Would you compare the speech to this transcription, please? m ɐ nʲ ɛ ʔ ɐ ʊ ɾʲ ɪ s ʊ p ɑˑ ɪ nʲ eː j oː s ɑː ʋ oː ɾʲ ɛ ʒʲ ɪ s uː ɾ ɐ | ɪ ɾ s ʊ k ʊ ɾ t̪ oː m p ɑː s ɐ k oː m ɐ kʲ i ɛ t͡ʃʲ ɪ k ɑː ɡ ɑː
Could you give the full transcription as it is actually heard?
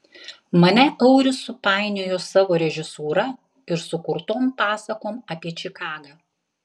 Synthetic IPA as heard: m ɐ nʲ ɛ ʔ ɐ ʊ ɾʲ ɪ s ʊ p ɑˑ ɪ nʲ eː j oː s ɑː ʋ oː ɾʲ ɛ ʒʲ ɪ s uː ɾ ɐ | ɪ ɾ s ʊ k ʊ ɾ t̪ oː m p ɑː s ɐ k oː m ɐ pʲ i ɛ t͡ʃʲ ɪ k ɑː ɡ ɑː

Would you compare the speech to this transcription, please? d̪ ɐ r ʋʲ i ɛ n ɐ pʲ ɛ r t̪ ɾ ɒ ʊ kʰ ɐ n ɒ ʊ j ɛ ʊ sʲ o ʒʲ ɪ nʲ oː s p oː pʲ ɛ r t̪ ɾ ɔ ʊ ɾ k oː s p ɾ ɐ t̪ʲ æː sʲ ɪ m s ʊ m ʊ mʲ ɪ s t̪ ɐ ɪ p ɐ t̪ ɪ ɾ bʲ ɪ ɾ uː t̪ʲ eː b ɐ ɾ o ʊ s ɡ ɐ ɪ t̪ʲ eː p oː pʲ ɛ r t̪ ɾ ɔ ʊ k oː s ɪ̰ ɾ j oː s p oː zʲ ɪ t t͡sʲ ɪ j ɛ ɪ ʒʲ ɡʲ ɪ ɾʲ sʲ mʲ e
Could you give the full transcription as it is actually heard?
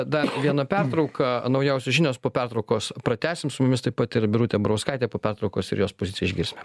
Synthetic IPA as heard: d̪ ɐ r ʋʲ i ɛ n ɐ pʲ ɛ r t̪ ɾ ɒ ʊ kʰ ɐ n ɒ ʊ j ɛ ʊ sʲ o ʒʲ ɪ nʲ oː s p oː pʲ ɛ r t̪ ɾ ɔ ʊ k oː s p ɾ ɐ t̪ʲ æː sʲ ɪ m s ʊ m ʊ mʲ ɪ s t̪ ɐ ɪ p ɐ t̪ ɪ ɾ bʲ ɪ ɾ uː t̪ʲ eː b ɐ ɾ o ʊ s k ɐ ɪ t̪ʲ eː p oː pʲ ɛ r t̪ ɾ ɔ ʊ k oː s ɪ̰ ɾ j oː s p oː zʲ ɪ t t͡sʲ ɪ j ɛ ɪ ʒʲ ɡʲ ɪ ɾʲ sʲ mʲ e

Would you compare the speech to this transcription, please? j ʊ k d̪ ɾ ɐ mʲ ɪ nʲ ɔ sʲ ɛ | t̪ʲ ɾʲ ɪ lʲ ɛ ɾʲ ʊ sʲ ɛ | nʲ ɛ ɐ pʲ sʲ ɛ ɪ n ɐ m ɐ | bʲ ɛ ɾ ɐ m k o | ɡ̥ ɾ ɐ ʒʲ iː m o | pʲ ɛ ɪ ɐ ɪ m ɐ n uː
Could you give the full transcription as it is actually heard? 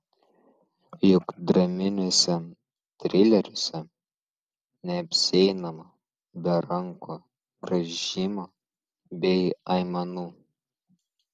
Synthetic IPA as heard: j ʊ k d̪ ɾ ɐ mʲ ɪ nʲ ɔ sʲ ɛ | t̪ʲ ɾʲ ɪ lʲ ɛ ɾʲ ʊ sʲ ɛ | nʲ ɛ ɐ pʲ sʲ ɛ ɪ n ɐ m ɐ | bʲ ɛ ɾ ɐ ŋ k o | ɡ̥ ɾ ɐ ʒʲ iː m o | bʲ ɛ ɪ ɐ ɪ m ɐ n uː

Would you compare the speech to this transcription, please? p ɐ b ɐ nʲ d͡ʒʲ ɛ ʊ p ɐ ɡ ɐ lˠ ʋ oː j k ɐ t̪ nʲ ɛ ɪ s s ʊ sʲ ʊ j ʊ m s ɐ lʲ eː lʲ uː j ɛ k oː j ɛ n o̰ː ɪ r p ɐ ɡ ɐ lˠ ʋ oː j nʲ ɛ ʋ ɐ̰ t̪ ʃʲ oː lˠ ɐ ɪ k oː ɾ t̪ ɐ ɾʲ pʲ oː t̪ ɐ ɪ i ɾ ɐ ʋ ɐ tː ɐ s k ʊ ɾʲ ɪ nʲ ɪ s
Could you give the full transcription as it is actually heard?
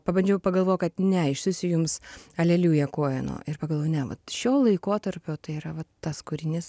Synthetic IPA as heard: p ɐ b ɐ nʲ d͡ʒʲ ɛ ʊ p ɐ ɡ ɐ lˠ ʋ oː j k ɐ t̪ nʲ ɛ ɪ ʃ s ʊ sʲ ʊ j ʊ m s ɐ lʲ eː lʲ uː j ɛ k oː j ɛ n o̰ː ɪ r p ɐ ɡ ɐ lˠ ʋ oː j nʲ ɛ ʋ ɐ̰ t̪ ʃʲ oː lˠ ɐ ɪ k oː t̪ ɐ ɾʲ pʲ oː t̪ ɐ ɪ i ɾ ɐ ʋ ɐ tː ɐ s k ʊ ɾʲ ɪ nʲ ɪ s

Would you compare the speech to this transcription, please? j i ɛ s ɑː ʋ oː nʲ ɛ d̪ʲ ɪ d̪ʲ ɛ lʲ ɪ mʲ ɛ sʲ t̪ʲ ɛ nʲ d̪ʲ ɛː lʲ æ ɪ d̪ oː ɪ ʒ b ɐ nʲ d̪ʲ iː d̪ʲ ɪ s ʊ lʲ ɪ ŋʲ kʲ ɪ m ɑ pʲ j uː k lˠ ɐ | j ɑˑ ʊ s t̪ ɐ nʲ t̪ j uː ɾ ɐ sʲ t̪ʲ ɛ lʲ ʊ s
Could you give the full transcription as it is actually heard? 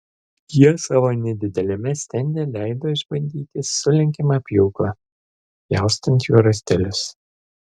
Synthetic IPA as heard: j i ɛ s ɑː ʋ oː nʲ ɛ d̪ʲ ɪ d̪ʲ ɛ lʲ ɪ mʲ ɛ sʲ t̪ʲ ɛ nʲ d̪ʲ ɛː lʲ æ ɪ d̪ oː ɪ ʒ b ɐ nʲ d̪ʲ iː t̪ʲ ɪ s ʊ lʲ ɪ ŋʲ kʲ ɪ m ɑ pʲ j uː k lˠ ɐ | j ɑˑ ʊ s t̪ ɐ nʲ t̪ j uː ɾ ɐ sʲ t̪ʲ ɛ lʲ ʊ s

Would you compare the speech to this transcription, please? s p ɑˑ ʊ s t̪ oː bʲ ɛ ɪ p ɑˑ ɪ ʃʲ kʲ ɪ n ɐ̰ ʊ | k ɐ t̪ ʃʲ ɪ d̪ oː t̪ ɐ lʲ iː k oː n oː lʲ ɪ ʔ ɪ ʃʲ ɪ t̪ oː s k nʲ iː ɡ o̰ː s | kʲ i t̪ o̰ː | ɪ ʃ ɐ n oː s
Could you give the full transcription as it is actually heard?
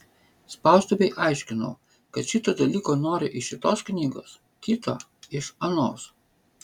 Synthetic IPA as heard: s p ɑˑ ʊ s t̪ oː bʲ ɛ ɪ ʔ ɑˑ ɪ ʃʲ kʲ ɪ n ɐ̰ ʊ | k ɐ t̪ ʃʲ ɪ t̪ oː d̪ ɐ lʲ iː k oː n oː ɾʲ ɪ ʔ ɪ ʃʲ ɪ t̪ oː s k nʲ iː ɡ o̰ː s | kʲ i t̪ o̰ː | ɪ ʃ ɐ n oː s

